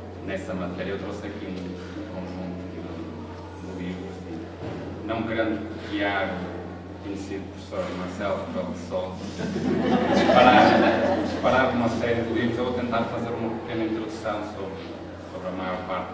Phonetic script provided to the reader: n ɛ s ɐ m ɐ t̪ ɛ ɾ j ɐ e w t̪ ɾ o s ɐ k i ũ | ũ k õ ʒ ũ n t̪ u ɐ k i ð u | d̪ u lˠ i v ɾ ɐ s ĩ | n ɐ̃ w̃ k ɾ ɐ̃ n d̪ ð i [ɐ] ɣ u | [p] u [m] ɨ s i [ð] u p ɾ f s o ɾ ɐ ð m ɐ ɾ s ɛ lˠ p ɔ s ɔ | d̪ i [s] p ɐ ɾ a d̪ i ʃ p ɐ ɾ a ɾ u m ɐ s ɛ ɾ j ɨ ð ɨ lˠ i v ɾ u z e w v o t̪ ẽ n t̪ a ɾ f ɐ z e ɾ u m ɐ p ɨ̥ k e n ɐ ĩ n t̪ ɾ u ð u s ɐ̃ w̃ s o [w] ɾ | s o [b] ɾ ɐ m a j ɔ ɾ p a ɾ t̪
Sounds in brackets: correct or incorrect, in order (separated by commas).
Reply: incorrect, incorrect, incorrect, correct, incorrect, incorrect, incorrect